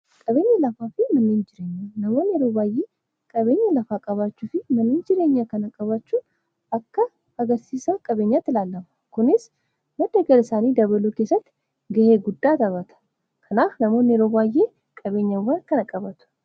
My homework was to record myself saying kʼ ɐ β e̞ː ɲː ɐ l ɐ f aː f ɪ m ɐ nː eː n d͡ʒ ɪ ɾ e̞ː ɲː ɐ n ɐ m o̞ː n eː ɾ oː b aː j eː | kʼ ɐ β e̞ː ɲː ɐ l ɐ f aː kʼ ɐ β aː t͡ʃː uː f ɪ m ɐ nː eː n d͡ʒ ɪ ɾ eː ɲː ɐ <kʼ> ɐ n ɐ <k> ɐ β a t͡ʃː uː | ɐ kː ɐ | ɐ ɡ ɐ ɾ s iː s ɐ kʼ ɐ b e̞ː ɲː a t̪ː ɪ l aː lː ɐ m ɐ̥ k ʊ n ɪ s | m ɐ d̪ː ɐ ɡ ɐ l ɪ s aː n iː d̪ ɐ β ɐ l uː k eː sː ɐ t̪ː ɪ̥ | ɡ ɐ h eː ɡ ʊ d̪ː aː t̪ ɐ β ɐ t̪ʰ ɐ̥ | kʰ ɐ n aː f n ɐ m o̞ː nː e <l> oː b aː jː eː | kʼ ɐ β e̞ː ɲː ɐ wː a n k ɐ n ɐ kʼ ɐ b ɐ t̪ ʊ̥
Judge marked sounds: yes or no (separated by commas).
no, no, no